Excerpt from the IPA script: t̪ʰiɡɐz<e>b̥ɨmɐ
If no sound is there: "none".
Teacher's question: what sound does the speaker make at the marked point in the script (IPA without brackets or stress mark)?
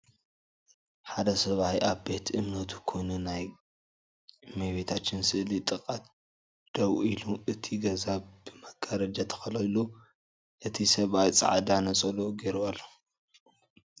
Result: a